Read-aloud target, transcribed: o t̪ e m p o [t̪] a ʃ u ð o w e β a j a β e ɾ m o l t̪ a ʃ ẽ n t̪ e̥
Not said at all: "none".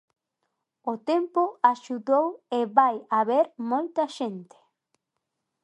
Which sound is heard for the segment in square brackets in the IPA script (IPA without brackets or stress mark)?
none